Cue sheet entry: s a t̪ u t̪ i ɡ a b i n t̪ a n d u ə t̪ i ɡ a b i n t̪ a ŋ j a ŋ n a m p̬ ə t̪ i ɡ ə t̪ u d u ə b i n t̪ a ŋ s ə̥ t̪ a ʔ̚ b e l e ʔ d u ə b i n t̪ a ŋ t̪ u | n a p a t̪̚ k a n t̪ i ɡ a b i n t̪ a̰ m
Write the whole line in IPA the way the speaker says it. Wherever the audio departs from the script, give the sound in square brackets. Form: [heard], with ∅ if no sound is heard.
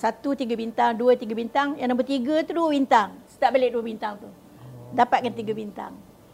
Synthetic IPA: s a t̪ u t̪ i ɡ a b i n t̪ a [ŋ] d u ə t̪ i ɡ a b i n t̪ a ŋ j a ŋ n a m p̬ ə t̪ i ɡ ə t̪ u d u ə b i n t̪ a ŋ s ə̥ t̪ a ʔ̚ b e l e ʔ d u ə b i n t̪ a ŋ t̪ u | [d] a p a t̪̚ k a n t̪ i ɡ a b i n t̪ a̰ [ŋ]